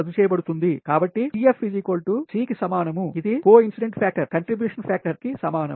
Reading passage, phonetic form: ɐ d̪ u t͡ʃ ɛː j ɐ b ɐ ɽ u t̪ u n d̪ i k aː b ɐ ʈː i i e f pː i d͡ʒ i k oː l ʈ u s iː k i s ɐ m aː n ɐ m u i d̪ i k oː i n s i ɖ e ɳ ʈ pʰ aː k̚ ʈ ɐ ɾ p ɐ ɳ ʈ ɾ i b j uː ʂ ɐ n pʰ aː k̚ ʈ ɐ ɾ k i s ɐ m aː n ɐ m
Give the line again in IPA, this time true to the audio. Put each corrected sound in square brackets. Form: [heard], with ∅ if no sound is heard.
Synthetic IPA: ɐ d̪ u t͡ʃ ɛː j ɐ b ɐ ɽ u t̪ u n d̪ i k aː b ɐ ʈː i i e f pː i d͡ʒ i k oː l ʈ u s iː k i s ɐ m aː n ɐ m u i d̪ i k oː i n s i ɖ e ɳ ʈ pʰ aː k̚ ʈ ɐ ɾ [k] ɐ ɳ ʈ ɾ i b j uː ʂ ɐ n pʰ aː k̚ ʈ ɐ ɾ k i s ɐ m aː n ɐ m